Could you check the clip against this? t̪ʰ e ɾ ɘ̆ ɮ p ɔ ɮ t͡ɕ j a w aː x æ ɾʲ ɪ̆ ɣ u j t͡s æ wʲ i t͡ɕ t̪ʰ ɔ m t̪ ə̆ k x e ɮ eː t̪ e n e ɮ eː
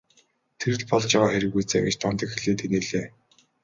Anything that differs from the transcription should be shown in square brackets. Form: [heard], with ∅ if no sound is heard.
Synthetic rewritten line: t̪ʰ e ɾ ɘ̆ ɮ p ɔ ɮ t͡ɕ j a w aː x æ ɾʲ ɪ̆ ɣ u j t͡s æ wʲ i t͡ɕ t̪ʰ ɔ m t̪ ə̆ k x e ɮ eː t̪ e n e ɮ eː